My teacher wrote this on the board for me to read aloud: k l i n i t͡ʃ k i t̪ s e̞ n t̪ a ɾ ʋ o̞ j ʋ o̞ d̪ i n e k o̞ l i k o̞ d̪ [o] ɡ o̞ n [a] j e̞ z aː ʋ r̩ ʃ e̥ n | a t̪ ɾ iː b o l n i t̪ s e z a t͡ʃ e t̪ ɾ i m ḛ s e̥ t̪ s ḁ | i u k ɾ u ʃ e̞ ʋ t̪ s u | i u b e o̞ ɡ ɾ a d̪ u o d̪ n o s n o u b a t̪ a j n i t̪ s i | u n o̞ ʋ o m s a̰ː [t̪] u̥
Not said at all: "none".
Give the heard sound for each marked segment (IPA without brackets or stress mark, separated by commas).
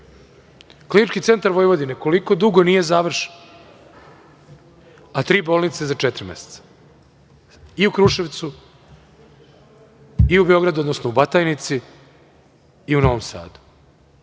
u, i, d̪